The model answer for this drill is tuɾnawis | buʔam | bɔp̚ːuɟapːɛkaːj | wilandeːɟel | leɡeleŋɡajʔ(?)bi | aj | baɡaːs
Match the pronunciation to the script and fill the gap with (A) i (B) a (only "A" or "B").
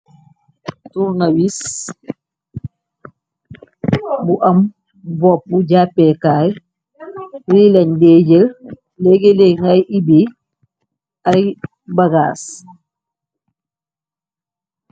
A